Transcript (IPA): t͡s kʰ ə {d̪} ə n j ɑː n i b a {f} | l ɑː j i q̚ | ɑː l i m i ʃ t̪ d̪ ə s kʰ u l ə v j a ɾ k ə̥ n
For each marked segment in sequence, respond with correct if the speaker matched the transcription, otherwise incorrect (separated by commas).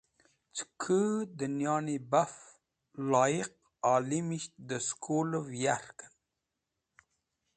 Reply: correct, correct